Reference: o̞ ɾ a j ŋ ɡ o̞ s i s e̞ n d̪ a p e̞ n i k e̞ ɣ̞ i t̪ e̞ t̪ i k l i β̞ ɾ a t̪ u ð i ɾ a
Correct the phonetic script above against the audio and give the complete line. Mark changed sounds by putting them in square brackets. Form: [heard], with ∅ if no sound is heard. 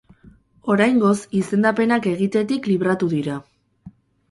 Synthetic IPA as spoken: o̞ ɾ a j ŋ ɡ o̞ s i s e̞ n d̪ a p e̞ n [a] k e̞ ɣ̞ i t̪ e̞ t̪ i k l i β̞ ɾ a t̪ u ð i ɾ a